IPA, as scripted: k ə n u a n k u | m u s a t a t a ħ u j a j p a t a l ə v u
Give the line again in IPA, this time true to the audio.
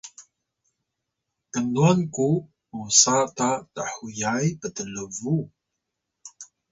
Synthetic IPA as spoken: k ə n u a n k u | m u s a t a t a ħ u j a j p ə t ə l ə v u